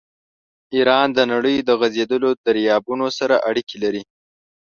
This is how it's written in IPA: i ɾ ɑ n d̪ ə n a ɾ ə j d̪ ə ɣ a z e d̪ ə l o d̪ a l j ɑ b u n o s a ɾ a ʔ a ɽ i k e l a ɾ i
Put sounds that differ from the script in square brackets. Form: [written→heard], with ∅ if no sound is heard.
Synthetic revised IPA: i ɾ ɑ n d̪ ə n a [ɾ→ɽ] ə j d̪ ə ɣ a z e d̪ ə l o d̪ a [l→ɾ] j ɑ b u n o s a ɾ a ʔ a ɽ i k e l a ɾ i